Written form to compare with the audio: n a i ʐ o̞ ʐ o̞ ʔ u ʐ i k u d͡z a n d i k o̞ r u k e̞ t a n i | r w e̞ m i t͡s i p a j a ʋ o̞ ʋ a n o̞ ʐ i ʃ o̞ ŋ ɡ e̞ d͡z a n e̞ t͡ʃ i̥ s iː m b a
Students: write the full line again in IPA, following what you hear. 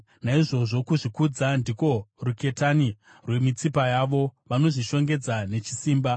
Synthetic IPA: n a i ʐ o̞ ʐ o̞ k u ʐ i k u d͡z a n d i k o̞ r u k e̞ t a n i | r w e̞ m i t͡s i p a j a ʋ o̞ ʋ a n o̞ ʐ i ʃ o̞ ŋ ɡ e̞ d͡z a n e̞ t͡ʃ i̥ s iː m b a